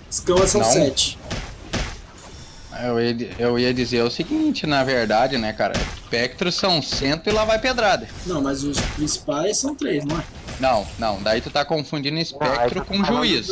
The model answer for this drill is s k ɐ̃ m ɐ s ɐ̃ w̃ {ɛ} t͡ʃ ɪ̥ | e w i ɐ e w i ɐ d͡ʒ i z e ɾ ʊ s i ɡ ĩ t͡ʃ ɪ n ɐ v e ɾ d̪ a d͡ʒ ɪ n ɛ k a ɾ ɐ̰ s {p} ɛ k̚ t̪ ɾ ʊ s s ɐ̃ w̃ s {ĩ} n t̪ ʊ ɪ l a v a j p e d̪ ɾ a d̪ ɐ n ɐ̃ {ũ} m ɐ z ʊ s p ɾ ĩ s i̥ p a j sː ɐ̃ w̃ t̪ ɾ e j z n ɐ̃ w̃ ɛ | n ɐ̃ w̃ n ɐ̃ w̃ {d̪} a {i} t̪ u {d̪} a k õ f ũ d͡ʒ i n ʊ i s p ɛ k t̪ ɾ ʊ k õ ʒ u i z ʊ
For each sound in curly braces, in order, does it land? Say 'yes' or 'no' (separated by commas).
yes, yes, no, no, yes, yes, no